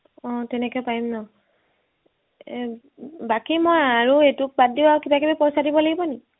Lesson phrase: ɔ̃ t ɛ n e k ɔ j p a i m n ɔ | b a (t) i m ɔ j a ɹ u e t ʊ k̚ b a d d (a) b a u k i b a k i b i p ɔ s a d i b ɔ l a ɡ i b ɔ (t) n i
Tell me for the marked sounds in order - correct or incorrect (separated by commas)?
incorrect, incorrect, incorrect